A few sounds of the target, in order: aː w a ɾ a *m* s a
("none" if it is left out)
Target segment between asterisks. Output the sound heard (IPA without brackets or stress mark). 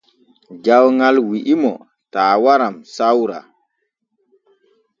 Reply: m